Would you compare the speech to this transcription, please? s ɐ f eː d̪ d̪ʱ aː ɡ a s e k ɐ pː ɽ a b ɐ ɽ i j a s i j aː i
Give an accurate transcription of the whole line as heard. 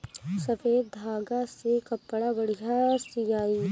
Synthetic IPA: s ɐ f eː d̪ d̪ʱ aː ɡ a s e k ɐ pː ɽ a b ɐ ɽ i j a s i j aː i

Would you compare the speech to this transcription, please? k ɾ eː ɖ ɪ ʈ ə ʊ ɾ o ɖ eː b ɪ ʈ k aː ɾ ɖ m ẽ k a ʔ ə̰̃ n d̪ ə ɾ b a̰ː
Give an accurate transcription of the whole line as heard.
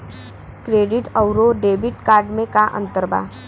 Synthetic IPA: k ɾ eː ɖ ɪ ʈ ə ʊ ɾ o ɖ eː b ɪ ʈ k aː ɾ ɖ m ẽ k a ʔ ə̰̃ n t̪ ə ɾ b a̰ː

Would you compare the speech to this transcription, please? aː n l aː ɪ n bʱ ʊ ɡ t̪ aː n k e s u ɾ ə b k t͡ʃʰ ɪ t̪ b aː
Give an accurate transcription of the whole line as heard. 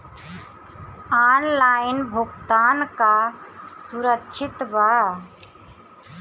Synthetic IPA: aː n l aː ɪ n bʱ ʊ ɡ t̪ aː n k a s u ɾ ə k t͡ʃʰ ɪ t̪ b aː

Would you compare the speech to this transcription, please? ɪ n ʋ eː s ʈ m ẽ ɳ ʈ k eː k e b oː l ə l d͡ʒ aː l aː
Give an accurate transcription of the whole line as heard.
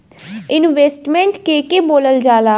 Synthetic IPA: ɪ n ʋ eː s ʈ m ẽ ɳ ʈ k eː k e b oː l ə l d͡ʒ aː l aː

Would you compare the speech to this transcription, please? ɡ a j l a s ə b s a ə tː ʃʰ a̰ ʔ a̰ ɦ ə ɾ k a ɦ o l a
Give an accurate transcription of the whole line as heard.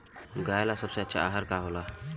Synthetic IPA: ɡ a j l a s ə b s e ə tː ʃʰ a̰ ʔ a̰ ɦ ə ɾ k a ɦ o l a

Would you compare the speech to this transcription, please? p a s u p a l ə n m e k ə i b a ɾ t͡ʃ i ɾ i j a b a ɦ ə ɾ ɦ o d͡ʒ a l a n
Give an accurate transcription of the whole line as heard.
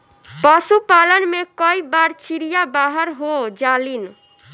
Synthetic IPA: p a s u p a l ə n m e k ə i b a ɾ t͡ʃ i ɾ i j a b a ɦ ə ɾ ɦ o d͡ʒ a l i n

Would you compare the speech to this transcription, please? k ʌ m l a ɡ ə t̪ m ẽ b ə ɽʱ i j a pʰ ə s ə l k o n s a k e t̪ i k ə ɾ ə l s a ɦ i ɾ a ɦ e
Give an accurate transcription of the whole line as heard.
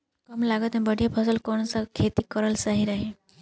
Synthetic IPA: k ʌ m l a ɡ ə t̪ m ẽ b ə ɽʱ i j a pʰ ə s ə l k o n s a kʰ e t̪ i k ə ɾ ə l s a ɦ i ɾ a ɦ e

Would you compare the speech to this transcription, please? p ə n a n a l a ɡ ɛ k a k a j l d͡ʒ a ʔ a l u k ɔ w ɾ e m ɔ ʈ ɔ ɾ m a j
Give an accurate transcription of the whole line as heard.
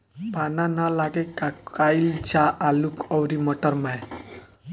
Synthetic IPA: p a n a n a l a ɡ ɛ k a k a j l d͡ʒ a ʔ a l u k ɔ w ɾ i m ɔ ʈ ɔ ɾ m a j

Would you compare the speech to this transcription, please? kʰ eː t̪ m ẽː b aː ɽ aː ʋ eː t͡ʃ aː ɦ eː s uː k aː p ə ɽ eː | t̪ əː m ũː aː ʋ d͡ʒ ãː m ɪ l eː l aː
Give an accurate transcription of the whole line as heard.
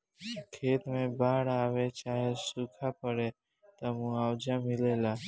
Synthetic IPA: kʰ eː t̪ m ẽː b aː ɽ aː ʋ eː t͡ʃ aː ɦ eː s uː kʰ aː p ə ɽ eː | t̪ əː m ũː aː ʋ d͡ʒ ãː m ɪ l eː l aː

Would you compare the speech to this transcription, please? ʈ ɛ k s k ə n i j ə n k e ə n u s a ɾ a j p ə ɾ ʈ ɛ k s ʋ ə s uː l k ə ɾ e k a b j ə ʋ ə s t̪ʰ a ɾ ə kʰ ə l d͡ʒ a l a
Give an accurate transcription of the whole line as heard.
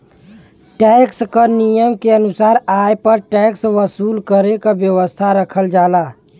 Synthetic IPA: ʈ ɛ k s k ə n i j ə m k e ə n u s a ɾ a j p ə ɾ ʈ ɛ k s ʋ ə s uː l k ə ɾ e k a b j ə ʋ ə s t̪ʰ a ɾ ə kʰ ə l d͡ʒ a l a

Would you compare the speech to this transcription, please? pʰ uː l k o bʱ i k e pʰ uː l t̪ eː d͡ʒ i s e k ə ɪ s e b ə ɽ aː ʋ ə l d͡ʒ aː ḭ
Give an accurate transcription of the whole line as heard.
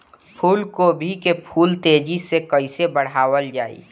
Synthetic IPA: pʰ uː l k o bʱ i k e pʰ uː l t̪ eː d͡ʒ i s e k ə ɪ s e b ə ɽ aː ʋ ə l d͡ʒ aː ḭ

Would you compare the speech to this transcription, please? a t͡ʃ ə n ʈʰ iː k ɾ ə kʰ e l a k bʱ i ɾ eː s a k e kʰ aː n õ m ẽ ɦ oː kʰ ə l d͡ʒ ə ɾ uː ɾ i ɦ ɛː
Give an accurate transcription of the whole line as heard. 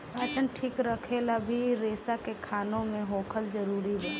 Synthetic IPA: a t͡ʃ ə n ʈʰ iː k ɾ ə kʰ e l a bʱ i ɾ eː s a k e kʰ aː n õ m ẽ ɦ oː kʰ ə l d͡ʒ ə ɾ uː ɾ i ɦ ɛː

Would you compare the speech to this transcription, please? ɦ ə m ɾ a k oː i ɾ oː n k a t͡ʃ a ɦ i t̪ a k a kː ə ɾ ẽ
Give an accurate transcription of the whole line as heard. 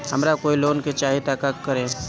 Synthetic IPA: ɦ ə m ɾ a k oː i l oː n k e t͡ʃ a ɦ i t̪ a k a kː ə ɾ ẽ

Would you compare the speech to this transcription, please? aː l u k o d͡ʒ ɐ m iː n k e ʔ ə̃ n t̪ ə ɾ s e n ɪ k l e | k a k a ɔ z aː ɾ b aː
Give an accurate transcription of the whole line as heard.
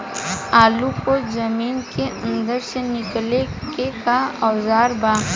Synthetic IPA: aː l u k o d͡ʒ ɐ m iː n k e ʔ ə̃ n d̪ ə ɾ s e n ɪ k l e | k e k a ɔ z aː ɾ b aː

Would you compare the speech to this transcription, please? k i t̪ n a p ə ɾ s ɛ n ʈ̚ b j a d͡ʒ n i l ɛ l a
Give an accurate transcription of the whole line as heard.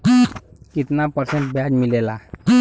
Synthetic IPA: k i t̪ n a p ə ɾ s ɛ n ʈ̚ b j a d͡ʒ m i l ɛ l a

